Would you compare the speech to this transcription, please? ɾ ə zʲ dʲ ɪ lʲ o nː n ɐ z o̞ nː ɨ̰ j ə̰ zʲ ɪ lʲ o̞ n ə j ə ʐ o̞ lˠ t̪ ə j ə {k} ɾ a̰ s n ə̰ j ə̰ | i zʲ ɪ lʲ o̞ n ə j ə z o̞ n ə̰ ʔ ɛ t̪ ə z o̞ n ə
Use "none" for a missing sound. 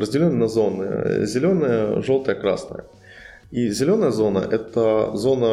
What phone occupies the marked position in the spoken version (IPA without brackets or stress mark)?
k